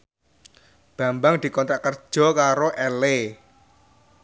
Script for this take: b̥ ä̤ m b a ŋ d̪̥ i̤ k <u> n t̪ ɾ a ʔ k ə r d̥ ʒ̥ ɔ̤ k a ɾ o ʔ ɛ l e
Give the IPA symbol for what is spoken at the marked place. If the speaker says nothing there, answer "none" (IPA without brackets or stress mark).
ɔ